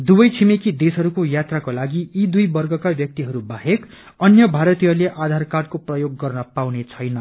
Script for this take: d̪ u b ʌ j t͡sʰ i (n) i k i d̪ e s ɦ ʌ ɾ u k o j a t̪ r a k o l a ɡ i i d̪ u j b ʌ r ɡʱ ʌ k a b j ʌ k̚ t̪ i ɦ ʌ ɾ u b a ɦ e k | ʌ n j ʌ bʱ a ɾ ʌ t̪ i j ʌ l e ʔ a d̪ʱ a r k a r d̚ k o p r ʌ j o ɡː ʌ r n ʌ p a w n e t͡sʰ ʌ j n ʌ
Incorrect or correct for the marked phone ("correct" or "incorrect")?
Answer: incorrect